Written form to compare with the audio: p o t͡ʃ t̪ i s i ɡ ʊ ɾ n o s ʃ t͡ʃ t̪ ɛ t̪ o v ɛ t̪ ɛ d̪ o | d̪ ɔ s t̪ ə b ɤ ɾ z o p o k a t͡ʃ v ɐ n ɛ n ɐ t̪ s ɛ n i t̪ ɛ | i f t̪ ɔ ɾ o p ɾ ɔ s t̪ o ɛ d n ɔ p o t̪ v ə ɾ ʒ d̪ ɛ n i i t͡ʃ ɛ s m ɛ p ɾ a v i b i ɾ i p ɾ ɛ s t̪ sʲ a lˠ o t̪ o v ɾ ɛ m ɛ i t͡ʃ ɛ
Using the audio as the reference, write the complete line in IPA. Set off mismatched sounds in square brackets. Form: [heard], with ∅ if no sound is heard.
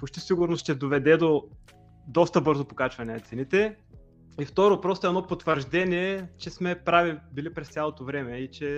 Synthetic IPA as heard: p o t͡ʃ t̪ i s i ɡ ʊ ɾ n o s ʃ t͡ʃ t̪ ɛ [d̪] o v ɛ [d̪] ɛ d̪ o | d̪ ɔ s t̪ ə b ɤ ɾ z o p o k a t͡ʃ v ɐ n ɛ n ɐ t̪ s ɛ n i t̪ ɛ | i f t̪ ɔ ɾ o p ɾ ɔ s t̪ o ɛ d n ɔ p o t̪ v ə ɾ ʒ d̪ ɛ n i [ɛ] t͡ʃ ɛ s m ɛ p ɾ a v i b i [l] i p ɾ ɛ s t̪ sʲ a lˠ o t̪ o v ɾ ɛ m ɛ i t͡ʃ ɛ